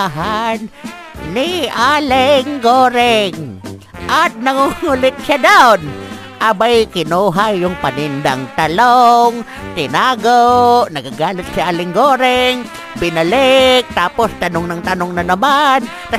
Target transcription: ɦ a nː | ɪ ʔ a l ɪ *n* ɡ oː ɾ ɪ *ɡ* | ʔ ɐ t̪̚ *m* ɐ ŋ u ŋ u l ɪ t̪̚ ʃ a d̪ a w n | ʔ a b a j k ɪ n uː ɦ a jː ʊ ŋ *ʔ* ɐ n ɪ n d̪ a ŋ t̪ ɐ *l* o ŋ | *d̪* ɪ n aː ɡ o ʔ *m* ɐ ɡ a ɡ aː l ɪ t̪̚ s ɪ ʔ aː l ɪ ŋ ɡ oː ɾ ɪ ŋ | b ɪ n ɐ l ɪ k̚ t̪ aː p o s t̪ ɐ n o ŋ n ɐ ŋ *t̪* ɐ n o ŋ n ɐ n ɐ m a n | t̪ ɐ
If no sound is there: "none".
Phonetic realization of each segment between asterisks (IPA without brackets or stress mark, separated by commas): ŋ, ŋ, n, p, l, t̪, n, t̪